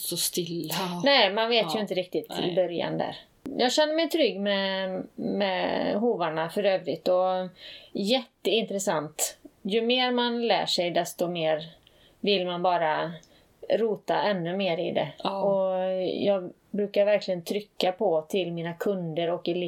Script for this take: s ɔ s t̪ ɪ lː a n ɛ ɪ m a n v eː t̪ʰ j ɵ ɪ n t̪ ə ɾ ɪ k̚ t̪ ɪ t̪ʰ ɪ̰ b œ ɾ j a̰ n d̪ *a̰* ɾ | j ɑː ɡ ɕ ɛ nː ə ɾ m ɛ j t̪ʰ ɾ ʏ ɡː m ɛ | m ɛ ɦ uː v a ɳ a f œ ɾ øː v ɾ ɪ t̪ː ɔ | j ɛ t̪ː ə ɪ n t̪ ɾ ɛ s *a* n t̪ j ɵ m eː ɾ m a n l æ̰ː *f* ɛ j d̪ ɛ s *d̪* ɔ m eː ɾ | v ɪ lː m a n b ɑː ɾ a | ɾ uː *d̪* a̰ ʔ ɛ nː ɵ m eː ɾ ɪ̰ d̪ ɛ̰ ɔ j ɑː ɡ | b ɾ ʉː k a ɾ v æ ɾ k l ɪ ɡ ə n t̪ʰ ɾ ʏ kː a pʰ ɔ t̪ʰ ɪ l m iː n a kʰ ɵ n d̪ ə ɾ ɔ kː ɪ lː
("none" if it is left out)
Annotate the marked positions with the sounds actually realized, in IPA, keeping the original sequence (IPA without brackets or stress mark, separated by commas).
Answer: æ̰, a, ʂ, t̪, t̪